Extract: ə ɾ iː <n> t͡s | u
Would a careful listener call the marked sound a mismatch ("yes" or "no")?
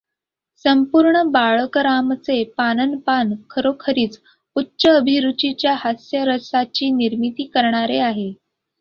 yes